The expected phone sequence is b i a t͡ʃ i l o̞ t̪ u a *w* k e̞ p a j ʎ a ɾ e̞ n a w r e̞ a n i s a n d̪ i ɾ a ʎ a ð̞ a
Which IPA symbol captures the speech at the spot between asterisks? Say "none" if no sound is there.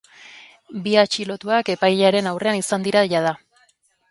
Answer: none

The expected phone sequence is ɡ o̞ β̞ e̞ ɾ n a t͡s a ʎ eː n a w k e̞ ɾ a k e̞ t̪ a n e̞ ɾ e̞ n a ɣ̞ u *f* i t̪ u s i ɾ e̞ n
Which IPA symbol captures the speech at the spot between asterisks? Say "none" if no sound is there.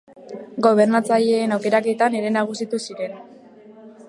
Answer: s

